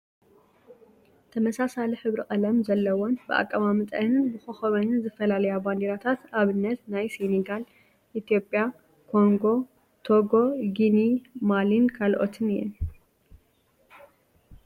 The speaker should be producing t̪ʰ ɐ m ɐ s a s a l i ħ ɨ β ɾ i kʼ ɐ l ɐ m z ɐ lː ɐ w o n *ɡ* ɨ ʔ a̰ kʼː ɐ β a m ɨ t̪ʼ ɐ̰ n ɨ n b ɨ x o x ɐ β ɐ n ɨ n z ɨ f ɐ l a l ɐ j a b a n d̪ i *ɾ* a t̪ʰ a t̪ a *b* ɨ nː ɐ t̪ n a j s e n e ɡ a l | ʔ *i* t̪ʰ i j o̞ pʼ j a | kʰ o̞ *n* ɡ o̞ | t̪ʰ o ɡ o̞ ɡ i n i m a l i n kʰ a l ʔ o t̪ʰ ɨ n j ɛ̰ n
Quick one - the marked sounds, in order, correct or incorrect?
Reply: incorrect, correct, incorrect, correct, incorrect

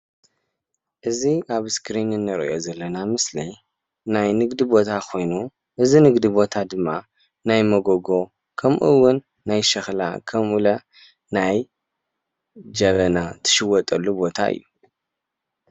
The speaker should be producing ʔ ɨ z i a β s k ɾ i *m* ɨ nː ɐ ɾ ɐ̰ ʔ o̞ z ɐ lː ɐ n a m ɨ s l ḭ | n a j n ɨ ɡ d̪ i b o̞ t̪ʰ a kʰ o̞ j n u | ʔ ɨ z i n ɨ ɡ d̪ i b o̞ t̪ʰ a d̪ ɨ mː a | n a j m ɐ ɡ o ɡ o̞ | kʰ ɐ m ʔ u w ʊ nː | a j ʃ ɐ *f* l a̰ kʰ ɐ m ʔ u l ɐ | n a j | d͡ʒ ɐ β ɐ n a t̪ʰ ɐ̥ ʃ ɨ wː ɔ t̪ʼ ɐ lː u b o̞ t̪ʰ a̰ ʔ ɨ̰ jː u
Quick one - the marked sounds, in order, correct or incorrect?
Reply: incorrect, incorrect

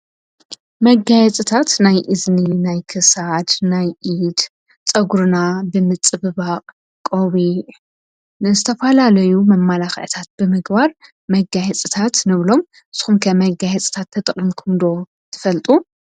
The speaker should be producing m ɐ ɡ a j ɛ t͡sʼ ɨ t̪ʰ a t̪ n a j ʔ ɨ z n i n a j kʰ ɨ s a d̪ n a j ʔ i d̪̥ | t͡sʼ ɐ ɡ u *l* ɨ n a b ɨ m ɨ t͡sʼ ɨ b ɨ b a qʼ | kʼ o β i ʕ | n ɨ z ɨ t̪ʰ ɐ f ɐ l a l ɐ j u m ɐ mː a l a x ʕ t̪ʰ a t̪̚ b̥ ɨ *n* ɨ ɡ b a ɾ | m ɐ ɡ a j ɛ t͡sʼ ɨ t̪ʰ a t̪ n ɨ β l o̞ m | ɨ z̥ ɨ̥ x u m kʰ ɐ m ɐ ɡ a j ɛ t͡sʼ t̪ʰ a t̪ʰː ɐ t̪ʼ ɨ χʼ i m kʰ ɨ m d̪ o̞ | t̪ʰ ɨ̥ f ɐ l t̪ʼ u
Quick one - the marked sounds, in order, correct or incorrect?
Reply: incorrect, incorrect

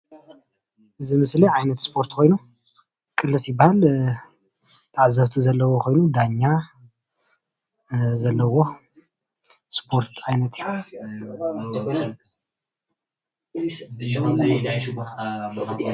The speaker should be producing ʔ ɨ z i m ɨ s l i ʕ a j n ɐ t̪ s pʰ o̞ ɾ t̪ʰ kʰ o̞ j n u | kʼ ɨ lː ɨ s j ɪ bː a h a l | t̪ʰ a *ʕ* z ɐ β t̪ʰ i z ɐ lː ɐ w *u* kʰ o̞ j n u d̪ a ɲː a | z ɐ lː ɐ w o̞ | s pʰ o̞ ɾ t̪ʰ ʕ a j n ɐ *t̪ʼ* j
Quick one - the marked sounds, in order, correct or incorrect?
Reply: correct, incorrect, incorrect

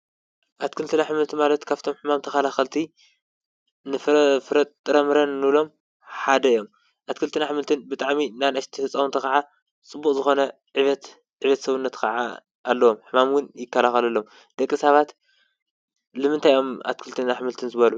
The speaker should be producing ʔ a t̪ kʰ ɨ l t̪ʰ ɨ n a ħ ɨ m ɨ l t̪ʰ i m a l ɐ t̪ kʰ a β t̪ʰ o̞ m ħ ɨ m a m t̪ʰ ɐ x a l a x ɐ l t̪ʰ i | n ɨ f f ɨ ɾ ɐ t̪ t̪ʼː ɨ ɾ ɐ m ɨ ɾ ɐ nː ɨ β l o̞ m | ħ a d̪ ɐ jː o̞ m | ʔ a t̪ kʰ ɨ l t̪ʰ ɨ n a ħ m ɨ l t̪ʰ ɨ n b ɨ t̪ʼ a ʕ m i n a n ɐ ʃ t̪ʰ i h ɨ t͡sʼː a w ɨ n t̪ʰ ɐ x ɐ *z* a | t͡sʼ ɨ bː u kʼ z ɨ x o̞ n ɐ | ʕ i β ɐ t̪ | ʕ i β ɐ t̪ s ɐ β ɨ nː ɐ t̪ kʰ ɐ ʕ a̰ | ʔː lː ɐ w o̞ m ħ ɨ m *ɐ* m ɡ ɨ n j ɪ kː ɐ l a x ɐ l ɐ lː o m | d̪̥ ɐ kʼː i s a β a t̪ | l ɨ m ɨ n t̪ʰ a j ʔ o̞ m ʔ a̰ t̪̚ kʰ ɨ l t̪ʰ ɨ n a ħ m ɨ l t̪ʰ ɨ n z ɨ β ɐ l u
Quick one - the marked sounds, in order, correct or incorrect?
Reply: incorrect, incorrect

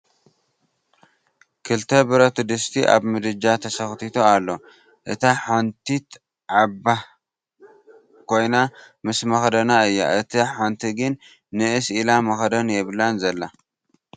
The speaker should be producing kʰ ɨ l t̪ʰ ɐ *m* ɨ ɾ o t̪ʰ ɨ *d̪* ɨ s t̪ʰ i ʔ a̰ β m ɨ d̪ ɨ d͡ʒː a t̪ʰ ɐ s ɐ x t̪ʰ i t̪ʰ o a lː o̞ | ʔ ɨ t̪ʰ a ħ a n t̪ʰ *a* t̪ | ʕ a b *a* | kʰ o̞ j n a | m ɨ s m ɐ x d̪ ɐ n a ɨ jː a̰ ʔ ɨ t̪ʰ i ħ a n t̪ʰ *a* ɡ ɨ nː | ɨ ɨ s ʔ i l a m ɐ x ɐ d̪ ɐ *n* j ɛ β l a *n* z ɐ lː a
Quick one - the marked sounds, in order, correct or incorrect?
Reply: incorrect, correct, incorrect, correct, incorrect, correct, correct

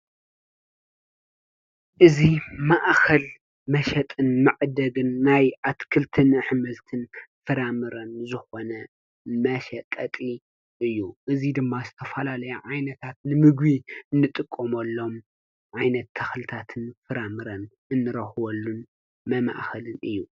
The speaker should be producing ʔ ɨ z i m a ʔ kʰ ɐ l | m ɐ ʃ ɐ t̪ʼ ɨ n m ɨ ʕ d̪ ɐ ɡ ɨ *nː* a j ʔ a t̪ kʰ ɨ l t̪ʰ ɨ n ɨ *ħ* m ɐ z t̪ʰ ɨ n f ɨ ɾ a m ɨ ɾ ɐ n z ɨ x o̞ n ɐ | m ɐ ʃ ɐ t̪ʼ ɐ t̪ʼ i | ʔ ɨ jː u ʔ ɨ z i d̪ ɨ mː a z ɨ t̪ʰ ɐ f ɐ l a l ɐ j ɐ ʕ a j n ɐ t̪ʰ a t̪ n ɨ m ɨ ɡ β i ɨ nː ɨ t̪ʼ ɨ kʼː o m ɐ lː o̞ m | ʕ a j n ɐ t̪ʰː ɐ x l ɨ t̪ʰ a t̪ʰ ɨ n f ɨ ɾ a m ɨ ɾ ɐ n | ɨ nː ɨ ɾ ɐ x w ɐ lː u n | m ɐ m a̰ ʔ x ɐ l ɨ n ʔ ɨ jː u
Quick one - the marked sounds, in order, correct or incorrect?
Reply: correct, correct

